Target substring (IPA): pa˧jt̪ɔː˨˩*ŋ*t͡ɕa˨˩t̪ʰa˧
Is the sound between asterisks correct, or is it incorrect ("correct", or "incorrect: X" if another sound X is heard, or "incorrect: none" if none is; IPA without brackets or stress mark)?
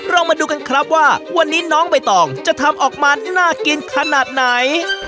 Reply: correct